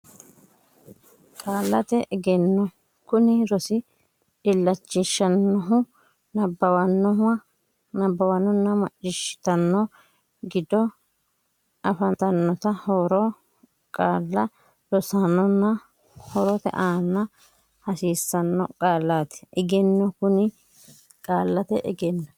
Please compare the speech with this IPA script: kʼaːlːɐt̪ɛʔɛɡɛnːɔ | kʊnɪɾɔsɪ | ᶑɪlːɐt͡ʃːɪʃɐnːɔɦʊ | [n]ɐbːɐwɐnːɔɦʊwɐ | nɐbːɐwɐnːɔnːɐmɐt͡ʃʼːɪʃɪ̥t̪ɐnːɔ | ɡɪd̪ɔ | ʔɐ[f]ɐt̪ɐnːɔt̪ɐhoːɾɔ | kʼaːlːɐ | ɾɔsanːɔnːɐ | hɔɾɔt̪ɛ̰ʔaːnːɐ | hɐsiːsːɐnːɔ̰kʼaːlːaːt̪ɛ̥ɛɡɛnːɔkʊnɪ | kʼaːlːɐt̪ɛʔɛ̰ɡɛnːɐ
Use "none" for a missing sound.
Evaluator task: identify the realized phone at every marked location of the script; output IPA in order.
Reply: n, f

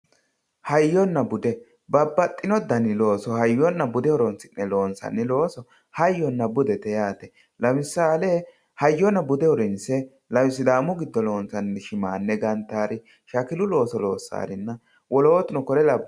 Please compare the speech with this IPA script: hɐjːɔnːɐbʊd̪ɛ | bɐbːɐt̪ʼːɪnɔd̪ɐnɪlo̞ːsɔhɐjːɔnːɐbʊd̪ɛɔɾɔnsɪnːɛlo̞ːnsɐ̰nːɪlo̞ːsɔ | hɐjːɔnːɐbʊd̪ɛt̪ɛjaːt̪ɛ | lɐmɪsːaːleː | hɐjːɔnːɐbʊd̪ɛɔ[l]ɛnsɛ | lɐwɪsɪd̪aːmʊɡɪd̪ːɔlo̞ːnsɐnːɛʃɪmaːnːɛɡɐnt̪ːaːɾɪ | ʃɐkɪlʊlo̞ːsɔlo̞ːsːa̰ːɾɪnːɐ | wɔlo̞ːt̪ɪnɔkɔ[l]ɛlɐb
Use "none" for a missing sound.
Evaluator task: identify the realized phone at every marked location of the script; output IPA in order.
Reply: ɾ, ɾ

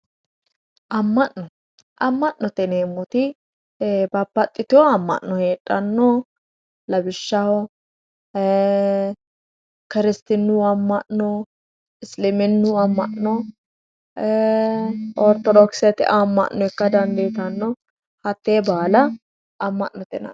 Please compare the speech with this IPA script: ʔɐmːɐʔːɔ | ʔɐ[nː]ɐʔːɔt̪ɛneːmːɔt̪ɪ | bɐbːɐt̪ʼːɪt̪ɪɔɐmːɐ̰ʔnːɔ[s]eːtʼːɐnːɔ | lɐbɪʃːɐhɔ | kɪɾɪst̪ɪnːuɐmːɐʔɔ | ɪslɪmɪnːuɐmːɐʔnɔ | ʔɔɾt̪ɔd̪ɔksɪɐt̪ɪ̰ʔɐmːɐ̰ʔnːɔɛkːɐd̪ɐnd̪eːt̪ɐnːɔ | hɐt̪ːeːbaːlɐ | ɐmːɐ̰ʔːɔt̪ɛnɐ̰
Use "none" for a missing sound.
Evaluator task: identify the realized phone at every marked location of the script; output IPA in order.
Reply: mː, h

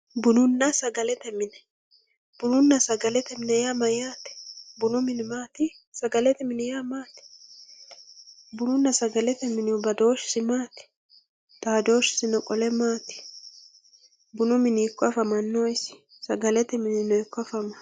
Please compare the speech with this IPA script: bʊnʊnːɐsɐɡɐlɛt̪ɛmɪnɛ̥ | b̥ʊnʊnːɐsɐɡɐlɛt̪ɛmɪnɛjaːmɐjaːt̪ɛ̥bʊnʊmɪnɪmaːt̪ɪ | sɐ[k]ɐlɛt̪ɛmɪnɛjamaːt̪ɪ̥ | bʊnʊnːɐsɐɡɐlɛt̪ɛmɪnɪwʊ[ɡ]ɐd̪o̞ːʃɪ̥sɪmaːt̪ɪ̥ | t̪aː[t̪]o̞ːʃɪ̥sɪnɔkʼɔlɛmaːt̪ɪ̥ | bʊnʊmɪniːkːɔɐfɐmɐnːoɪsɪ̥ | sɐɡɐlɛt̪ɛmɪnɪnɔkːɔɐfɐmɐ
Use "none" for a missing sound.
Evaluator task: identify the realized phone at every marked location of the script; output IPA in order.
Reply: ɡ, b, d̪

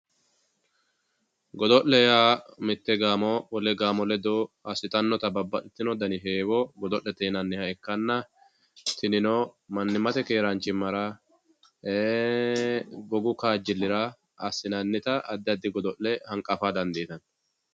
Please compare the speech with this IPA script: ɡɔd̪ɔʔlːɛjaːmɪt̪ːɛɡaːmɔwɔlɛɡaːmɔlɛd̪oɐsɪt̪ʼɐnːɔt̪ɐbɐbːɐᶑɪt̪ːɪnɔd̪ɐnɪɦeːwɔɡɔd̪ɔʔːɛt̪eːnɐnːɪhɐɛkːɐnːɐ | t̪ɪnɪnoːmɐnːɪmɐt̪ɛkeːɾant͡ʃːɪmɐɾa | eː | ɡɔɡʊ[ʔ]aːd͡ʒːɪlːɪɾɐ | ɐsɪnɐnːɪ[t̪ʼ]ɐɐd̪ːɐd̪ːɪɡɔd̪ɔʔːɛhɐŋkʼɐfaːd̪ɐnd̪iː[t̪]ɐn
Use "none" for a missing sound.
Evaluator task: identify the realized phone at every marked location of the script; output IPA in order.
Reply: k, t̪, t̪

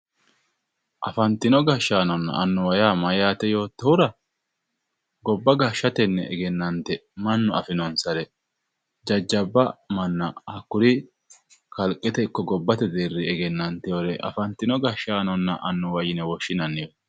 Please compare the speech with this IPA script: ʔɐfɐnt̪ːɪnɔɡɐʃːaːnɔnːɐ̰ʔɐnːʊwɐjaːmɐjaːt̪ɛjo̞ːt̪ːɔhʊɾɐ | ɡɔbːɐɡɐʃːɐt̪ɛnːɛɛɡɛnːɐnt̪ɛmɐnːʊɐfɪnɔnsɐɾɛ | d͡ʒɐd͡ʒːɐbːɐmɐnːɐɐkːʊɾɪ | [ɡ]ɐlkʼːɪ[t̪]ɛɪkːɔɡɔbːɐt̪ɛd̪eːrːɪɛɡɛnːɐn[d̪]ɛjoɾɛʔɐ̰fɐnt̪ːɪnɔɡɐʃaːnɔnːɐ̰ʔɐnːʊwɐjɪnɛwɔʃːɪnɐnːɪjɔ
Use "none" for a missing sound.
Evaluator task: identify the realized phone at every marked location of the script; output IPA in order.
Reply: k, t̪, t̪

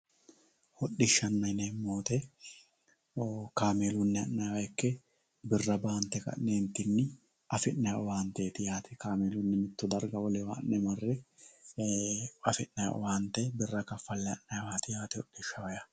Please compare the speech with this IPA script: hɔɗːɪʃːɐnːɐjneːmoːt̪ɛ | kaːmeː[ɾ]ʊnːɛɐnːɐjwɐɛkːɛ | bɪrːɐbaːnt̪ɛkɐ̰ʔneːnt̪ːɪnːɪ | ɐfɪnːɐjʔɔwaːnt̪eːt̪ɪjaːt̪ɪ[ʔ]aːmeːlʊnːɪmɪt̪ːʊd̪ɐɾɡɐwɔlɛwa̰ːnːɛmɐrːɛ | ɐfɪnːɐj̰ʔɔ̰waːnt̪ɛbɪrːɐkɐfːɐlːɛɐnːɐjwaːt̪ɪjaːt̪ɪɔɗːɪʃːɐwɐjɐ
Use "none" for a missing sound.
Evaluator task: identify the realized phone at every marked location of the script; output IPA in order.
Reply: l, k

